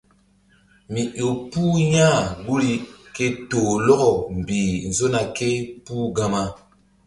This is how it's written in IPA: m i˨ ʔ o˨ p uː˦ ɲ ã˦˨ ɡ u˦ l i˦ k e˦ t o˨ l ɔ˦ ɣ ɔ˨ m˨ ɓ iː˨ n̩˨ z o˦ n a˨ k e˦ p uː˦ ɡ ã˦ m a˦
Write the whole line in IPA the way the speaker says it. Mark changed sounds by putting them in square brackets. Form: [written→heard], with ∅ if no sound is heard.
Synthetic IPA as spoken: m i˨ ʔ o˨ p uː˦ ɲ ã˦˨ ɡ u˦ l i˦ k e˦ t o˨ l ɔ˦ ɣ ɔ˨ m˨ [ɓ→b] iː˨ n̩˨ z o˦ n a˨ k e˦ p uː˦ ɡ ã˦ m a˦